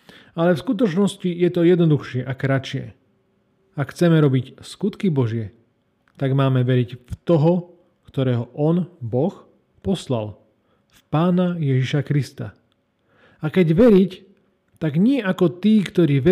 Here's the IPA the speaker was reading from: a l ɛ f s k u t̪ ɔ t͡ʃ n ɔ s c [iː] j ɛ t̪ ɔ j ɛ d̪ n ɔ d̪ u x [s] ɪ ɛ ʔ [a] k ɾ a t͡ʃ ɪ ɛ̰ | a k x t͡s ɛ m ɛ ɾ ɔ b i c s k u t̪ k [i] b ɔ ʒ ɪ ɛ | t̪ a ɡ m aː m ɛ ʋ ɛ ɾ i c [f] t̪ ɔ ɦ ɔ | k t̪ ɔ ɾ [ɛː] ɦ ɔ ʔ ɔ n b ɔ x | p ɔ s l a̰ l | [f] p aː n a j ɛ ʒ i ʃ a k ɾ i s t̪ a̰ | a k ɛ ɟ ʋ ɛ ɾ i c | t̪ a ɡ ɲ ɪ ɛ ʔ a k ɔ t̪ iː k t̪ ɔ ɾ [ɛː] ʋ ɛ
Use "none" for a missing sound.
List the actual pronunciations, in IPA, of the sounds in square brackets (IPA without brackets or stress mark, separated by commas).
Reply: i, ʃ, a, i, f, ɛː, f, iː